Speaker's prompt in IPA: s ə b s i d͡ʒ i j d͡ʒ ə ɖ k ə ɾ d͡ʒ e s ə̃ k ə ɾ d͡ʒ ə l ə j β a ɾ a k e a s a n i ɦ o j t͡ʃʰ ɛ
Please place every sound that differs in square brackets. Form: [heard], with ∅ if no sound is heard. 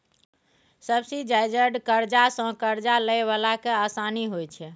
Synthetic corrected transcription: s ə b s i d͡ʒ [a] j d͡ʒ ə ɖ k ə ɾ d͡ʒ [a] s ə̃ k ə ɾ d͡ʒ [a] l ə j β a [l] a k e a s a n i ɦ o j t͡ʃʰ ɛ